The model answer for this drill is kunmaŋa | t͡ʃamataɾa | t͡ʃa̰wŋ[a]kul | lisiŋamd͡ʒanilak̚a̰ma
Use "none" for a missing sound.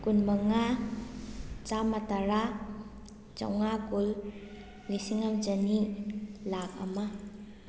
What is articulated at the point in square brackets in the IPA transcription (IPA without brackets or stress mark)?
a